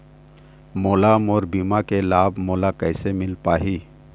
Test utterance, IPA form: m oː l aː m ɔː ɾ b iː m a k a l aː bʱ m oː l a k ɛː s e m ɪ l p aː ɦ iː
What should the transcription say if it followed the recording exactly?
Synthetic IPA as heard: m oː l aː m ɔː ɾ b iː m a k e l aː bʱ m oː l a k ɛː s e m ɪ l p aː ɦ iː